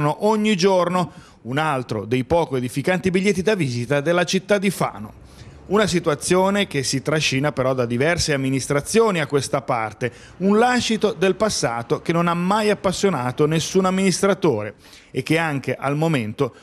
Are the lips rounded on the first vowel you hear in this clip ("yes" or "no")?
yes